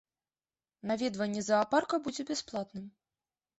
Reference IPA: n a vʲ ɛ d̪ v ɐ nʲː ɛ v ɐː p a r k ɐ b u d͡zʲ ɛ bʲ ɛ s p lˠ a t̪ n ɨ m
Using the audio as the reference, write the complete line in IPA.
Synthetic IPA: n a vʲ ɛ d̪ v ɐ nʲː ɛ z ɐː p a r k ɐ b u d͡zʲ ɛ bʲ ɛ s p lˠ a t̪ n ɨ m